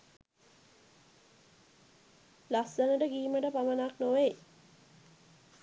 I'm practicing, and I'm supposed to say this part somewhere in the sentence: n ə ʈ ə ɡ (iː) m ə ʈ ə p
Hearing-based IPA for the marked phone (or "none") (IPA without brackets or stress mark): iː